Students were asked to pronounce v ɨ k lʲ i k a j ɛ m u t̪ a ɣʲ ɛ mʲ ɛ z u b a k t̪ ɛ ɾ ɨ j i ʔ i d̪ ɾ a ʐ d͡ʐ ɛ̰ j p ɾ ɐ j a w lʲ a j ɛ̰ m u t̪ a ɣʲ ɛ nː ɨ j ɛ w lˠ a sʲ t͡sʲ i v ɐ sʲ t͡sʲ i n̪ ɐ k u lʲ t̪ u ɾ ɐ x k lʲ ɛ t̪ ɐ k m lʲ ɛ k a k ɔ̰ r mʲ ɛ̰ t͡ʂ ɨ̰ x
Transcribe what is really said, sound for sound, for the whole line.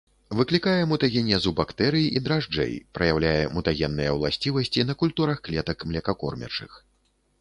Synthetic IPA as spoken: v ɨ k lʲ i k a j ɛ m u t̪ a ɣʲ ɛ nʲ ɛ z u b a k t̪ ɛ ɾ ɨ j i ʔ i d̪ ɾ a ʐ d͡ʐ ɛ̰ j p ɾ ɐ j a w lʲ a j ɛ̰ m u t̪ a ɣʲ ɛ nː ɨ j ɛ w lˠ a sʲ t͡sʲ i v ɐ sʲ t͡sʲ i n̪ ɐ k u lʲ t̪ u ɾ ɐ x k lʲ ɛ t̪ ɐ k m lʲ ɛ k a k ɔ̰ r mʲ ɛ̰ t͡ʂ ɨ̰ x